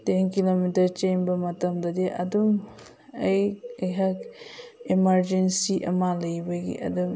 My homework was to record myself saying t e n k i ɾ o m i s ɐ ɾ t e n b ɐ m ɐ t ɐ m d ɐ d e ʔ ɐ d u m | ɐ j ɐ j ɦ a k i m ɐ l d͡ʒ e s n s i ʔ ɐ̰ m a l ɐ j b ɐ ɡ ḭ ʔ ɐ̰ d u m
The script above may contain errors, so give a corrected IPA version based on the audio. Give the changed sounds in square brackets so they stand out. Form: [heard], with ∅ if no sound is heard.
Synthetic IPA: t e n k i [l] o m i [t] ɐ ɾ [t͡ʃ] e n b ɐ m ɐ t ɐ m d ɐ d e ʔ ɐ d u m | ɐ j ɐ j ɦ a k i m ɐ [ɾ] d͡ʒ e [∅] n s i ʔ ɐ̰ m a l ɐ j b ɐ ɡ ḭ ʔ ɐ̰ d u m